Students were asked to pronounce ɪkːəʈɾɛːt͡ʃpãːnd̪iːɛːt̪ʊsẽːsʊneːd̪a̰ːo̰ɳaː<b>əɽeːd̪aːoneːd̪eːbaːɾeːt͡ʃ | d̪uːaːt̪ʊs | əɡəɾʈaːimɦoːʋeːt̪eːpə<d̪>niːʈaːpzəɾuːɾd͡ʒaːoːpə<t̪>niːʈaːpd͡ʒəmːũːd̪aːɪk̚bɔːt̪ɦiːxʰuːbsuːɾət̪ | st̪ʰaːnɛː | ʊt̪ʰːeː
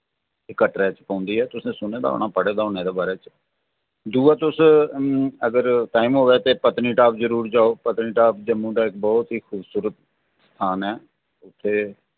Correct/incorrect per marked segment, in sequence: incorrect: p, incorrect: t̪, correct

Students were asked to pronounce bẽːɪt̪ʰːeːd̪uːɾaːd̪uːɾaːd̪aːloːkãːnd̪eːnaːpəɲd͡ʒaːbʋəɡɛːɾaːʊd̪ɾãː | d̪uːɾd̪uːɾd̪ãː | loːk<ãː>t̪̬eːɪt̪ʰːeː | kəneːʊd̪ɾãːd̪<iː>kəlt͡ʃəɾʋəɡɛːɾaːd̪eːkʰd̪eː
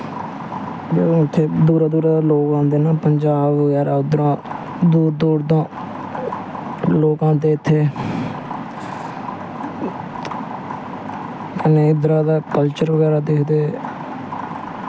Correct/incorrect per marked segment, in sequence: correct, incorrect: aː

